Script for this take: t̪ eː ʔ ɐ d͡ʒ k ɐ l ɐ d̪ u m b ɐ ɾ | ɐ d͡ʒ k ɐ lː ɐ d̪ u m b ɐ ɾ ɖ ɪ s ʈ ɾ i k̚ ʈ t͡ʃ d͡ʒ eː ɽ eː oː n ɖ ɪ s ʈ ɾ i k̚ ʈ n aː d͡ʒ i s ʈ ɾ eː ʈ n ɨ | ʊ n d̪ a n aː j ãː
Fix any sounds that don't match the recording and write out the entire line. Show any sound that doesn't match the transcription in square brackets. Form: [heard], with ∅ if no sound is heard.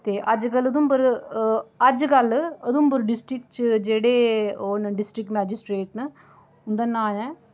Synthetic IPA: t̪ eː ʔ ɐ d͡ʒ k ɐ l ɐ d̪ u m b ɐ ɾ | ɐ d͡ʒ k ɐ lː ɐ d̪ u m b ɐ ɾ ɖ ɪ s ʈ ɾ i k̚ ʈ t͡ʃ d͡ʒ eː ɽ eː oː n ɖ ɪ s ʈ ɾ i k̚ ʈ [m] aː d͡ʒ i s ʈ ɾ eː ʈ n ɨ | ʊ n d̪ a n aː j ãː